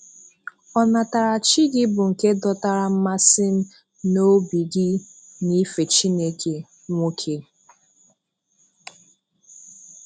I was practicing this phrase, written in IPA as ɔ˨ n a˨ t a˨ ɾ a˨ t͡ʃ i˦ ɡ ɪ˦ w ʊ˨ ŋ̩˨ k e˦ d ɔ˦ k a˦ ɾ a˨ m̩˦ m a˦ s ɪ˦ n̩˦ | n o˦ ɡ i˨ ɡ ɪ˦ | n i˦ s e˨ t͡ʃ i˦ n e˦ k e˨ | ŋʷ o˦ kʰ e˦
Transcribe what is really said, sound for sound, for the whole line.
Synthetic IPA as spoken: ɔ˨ n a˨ t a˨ ɾ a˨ t͡ʃ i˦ ɡ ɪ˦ b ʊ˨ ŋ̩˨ k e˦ d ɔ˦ t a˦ ɾ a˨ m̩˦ m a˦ s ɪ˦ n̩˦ | n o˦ b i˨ ɡ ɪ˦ | n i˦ f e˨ t͡ʃ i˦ n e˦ k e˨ | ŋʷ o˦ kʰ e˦